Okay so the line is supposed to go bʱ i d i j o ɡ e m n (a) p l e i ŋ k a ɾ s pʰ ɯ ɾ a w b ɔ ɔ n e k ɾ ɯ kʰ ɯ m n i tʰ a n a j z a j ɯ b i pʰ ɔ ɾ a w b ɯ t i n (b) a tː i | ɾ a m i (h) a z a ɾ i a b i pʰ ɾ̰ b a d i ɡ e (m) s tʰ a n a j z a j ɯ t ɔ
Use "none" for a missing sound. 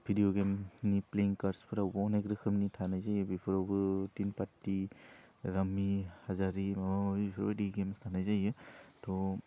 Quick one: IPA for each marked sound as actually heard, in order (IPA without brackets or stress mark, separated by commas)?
i, p, h, m